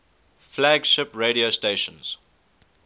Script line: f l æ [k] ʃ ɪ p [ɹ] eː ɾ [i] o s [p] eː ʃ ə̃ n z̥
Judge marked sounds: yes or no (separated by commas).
no, yes, yes, no